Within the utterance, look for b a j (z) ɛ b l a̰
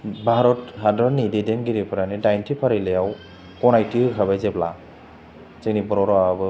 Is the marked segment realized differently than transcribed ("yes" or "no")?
no